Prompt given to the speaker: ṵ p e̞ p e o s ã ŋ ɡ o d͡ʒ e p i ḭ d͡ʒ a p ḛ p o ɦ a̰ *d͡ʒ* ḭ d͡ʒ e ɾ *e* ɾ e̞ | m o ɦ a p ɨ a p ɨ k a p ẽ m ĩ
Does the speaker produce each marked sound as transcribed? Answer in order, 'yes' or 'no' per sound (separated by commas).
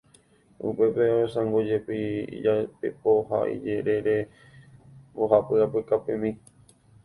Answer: no, yes